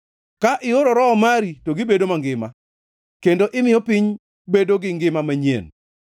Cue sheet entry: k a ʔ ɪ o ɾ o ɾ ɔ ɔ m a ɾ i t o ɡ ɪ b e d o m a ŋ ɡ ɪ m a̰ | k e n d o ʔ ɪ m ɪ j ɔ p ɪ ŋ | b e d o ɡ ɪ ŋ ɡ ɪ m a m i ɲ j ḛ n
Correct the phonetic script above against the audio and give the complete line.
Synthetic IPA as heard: k a ʔ ɪ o ɾ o ɾ ɔ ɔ m a ɾ i t o ɡ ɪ b e d o m a ŋ ɡ ɪ m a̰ | k e n d o ʔ ɪ m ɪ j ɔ p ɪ ɲ | b e d o ɡ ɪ ŋ ɡ ɪ m a m a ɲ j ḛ n